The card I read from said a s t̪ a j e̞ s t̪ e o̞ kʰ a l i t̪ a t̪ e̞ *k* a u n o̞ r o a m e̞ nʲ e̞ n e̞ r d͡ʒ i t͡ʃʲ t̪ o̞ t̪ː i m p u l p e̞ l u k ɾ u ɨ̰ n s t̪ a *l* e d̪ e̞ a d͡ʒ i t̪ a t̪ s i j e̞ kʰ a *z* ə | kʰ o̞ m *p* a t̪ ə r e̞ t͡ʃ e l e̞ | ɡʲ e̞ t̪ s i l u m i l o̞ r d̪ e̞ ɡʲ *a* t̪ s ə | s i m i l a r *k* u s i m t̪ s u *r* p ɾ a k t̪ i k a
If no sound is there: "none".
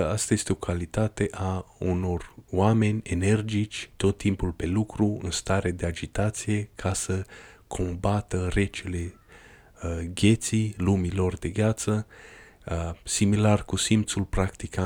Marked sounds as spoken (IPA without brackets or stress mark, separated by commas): ʔ, ɾ, s, b, a, k, l